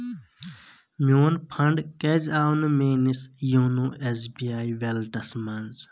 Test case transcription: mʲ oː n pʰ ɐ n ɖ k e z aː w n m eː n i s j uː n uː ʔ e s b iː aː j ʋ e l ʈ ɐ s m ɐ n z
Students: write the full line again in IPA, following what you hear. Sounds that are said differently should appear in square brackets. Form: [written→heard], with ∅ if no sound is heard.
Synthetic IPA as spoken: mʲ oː n pʰ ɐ [n→ɳ] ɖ k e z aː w n m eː n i s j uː n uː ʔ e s b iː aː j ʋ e l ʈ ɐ s m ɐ n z